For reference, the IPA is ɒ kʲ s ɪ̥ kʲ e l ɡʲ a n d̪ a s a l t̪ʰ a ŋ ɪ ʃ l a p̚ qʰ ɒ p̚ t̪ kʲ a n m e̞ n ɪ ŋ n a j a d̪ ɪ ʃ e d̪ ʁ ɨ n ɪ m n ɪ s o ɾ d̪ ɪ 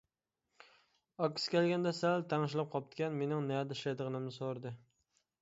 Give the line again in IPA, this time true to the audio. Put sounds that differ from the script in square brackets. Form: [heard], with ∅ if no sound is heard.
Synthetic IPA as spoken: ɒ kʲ s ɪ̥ kʲ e l ɡʲ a n d̪ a s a l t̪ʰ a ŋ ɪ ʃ l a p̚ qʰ ɒ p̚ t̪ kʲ a n m e̞ n ɪ ŋ n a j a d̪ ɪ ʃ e d̪ ʁ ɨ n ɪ m n ɪ s o ɾ d̪ ɪ